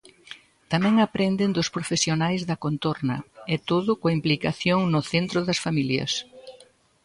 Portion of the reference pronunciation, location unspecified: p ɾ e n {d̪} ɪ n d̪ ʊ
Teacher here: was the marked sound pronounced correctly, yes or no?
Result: yes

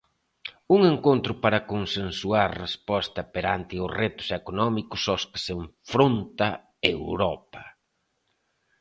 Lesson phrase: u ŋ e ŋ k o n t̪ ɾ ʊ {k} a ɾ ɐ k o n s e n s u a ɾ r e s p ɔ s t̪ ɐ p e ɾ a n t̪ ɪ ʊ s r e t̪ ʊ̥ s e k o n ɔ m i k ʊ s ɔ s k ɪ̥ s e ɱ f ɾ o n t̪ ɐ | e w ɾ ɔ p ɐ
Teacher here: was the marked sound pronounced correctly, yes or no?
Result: no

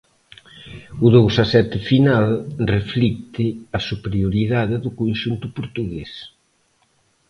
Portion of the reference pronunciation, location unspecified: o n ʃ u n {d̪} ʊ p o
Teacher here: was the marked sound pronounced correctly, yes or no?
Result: no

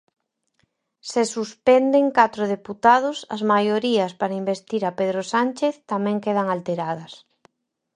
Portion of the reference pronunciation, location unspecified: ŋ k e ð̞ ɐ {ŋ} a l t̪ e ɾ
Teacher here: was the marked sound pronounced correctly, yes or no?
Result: yes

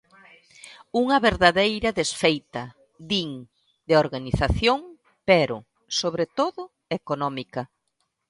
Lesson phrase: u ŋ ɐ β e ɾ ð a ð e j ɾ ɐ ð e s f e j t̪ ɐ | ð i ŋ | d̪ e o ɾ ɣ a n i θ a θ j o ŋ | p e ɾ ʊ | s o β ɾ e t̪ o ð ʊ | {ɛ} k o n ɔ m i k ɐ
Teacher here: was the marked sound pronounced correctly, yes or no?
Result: no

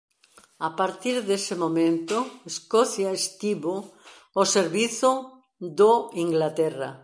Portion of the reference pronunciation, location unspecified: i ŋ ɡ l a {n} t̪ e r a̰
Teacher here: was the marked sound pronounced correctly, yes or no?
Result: no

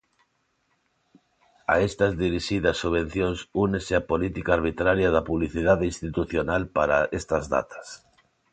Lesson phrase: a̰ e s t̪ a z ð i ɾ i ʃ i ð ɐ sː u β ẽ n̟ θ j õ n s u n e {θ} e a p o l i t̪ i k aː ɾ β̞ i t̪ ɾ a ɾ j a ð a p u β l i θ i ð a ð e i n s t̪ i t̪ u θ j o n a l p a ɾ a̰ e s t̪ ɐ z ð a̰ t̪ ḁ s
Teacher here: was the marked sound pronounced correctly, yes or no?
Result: no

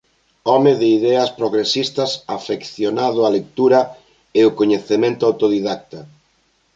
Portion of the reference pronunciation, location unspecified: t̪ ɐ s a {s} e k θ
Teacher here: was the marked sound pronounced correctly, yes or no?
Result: no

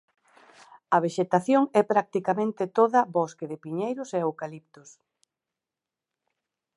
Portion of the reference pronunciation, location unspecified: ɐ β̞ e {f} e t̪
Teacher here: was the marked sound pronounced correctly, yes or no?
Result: no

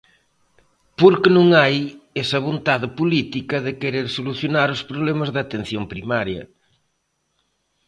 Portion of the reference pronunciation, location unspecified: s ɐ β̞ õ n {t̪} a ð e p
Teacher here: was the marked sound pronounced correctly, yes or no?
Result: yes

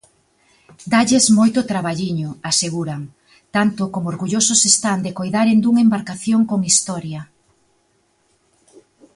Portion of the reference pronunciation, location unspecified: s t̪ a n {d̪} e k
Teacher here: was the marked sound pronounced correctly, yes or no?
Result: yes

